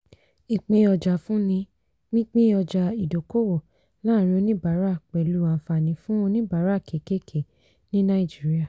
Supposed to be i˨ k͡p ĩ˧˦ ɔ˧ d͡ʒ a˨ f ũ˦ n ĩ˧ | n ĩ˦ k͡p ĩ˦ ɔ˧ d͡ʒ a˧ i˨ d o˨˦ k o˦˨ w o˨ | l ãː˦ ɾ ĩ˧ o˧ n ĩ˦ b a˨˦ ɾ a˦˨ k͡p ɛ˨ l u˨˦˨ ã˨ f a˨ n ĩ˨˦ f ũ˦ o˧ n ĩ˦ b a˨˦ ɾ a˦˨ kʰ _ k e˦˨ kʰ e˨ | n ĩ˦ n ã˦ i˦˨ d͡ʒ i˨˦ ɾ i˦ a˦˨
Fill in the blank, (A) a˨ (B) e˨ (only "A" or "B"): B